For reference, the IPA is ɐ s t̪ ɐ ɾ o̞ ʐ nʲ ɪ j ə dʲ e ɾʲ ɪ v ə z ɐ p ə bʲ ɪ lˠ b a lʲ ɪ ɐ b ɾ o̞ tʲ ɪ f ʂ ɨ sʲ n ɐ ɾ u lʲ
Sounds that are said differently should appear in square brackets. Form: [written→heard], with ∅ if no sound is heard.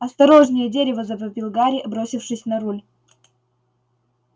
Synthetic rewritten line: ɐ s t̪ ɐ ɾ o̞ ʐ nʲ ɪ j ə dʲ e ɾʲ ɪ v ə z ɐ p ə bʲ ɪ lˠ [b→ɡ] a [lʲ→ɾʲ] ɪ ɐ b ɾ o̞ [tʲ→sʲ] ɪ f ʂ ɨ sʲ n ɐ ɾ u lʲ